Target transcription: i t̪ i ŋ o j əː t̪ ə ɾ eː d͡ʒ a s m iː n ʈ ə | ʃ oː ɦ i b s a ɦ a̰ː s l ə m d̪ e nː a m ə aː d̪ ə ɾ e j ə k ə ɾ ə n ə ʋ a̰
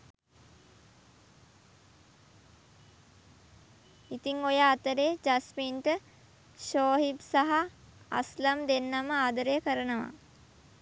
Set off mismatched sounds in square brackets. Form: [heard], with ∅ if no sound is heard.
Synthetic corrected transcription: i t̪ i ŋ o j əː t̪ ə ɾ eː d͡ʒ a s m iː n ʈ ə | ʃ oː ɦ i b s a ɦ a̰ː s l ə m d̪ e nː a m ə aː d̪ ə ɾ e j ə k ə ɾ ə n ə ʋ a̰